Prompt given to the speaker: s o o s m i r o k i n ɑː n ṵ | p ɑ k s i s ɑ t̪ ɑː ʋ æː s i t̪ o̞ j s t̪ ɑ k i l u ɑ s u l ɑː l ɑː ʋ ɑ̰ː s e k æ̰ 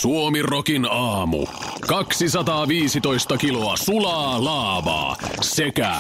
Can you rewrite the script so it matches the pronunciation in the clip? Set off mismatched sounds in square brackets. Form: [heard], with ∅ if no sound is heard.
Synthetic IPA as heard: s [u] o [∅] m i r o k i n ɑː [m] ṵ | [k] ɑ k s i s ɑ t̪ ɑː ʋ [iː] s i t̪ o̞ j s t̪ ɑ k i l [o] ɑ s u l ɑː l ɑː ʋ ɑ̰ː s e k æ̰